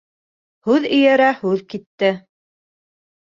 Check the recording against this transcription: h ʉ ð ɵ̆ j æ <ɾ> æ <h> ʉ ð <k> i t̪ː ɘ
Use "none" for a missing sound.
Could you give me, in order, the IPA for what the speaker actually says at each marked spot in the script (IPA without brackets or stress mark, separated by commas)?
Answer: ɾ, h, k